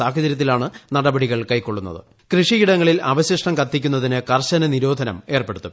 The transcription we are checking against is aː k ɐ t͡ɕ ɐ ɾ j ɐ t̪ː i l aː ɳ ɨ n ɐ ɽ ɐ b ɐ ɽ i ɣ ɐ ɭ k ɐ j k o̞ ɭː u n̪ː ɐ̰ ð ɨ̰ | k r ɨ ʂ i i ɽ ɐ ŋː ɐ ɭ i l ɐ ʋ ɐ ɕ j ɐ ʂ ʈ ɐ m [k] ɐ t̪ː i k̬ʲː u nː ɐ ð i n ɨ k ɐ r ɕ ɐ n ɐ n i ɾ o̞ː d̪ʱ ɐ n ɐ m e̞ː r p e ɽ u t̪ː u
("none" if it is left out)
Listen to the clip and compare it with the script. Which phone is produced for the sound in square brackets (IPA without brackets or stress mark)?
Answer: k